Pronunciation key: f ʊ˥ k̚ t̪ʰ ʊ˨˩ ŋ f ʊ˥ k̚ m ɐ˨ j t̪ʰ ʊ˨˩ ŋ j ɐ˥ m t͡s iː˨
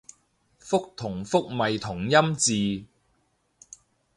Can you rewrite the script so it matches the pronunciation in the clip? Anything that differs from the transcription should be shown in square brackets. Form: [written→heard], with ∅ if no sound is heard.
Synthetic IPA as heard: f ʊ˥ k̚ t̪ʰ ʊ˨˩ ŋ f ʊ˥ k̚ m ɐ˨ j t̪ʰ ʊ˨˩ ŋ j ɐ˥ m t͡s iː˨